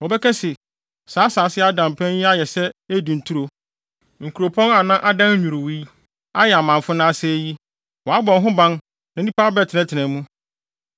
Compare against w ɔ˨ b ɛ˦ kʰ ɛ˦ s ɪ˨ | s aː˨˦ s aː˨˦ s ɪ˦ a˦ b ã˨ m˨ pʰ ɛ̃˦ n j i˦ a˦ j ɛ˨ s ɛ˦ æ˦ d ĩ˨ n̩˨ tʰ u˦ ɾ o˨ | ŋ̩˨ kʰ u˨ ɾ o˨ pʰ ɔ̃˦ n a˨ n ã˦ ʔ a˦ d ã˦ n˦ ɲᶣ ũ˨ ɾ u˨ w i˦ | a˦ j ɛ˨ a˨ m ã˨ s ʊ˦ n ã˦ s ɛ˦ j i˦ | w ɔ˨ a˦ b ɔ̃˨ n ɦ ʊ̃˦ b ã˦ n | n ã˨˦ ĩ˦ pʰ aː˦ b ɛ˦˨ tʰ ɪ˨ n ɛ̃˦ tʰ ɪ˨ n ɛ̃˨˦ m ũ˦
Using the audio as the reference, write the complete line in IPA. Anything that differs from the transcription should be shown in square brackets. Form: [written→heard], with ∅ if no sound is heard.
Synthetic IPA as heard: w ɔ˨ b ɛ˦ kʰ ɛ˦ s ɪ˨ | s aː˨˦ s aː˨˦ s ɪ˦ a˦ [b→d] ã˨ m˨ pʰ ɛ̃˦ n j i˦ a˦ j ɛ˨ s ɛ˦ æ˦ d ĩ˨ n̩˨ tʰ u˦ ɾ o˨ | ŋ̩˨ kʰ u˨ ɾ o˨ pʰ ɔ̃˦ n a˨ n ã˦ ʔ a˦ d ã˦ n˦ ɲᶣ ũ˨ ɾ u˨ w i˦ | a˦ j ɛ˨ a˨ m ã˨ [s→f] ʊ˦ n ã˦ s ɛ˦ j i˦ | w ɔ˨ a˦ b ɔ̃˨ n ɦ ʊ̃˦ b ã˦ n | n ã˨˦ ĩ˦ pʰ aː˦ b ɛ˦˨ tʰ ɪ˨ n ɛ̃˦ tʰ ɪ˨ n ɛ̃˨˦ m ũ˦